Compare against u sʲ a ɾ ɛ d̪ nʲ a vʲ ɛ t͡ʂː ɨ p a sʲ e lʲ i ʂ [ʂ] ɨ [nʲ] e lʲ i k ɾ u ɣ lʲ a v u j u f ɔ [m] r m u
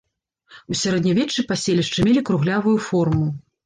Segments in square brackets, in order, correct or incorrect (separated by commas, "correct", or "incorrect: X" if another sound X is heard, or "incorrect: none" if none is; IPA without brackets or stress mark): incorrect: t͡ʂ, incorrect: mʲ, incorrect: none